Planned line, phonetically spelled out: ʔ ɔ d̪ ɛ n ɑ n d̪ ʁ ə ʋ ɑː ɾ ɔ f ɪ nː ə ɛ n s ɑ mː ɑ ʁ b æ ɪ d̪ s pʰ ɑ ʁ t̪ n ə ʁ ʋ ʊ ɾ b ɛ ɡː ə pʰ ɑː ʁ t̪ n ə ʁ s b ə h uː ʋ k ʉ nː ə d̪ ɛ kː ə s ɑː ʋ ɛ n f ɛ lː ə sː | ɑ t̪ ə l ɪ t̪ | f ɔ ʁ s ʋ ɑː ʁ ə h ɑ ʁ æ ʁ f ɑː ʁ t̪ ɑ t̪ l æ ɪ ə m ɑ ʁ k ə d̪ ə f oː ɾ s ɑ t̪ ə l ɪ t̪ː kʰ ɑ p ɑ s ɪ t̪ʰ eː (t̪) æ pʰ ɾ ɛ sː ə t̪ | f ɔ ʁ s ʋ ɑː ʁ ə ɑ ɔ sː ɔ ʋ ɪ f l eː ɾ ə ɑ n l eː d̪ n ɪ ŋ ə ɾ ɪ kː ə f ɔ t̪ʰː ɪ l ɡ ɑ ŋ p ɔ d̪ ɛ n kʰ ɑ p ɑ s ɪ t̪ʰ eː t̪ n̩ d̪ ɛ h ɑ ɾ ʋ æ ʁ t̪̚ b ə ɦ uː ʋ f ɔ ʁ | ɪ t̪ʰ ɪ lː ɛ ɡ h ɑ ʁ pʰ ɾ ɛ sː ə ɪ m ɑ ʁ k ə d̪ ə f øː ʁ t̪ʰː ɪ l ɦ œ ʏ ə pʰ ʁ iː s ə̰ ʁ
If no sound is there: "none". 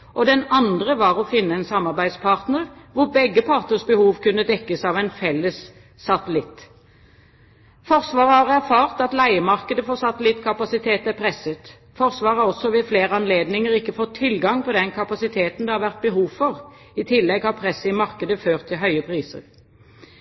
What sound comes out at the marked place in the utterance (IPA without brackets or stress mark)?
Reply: t̪